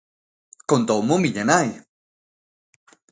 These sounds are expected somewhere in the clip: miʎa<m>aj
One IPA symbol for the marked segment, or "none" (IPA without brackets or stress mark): n